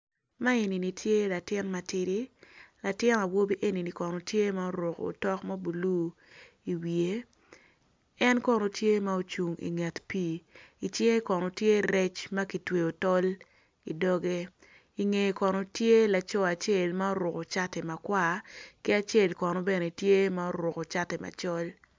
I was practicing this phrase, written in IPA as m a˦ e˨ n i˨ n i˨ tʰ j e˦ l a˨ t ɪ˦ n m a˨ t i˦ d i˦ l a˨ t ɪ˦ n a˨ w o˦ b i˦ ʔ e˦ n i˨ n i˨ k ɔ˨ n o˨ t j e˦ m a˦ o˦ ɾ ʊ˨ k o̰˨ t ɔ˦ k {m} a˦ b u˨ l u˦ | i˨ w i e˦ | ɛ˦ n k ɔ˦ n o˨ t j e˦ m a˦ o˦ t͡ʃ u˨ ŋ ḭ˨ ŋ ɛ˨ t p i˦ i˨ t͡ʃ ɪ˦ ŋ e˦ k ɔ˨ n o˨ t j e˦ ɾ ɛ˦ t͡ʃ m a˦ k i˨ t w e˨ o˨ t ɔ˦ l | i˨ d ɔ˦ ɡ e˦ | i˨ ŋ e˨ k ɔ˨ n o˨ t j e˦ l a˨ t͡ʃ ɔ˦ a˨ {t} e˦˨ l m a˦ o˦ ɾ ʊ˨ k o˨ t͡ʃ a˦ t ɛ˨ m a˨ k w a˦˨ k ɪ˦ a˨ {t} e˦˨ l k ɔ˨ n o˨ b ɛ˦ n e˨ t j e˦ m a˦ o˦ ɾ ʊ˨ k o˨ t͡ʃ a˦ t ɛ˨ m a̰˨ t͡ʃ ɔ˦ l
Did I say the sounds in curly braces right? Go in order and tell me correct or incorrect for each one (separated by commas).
correct, incorrect, incorrect